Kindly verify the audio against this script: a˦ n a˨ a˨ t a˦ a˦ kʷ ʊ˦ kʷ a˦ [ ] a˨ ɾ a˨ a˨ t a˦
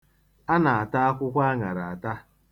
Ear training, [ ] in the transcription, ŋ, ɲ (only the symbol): ŋ